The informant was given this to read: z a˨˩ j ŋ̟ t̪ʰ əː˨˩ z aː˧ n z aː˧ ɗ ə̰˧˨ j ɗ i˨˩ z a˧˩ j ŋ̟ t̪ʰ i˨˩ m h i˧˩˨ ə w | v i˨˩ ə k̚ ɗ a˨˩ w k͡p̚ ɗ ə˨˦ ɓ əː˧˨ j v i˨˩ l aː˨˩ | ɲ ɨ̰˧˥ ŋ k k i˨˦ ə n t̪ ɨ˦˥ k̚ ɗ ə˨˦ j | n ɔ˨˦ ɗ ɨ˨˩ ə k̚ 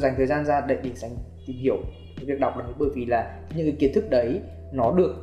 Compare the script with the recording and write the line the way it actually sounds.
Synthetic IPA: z a˨˩ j ŋ̟ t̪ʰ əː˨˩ z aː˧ n z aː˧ ɗ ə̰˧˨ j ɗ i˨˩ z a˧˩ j ŋ̟ t̪ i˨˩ m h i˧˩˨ ə w | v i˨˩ ə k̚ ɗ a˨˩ w k͡p̚ ɗ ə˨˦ ɓ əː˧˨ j v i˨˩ l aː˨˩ | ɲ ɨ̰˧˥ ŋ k k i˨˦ ə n t̪ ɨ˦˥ k̚ ɗ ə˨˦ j | n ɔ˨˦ ɗ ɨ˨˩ ə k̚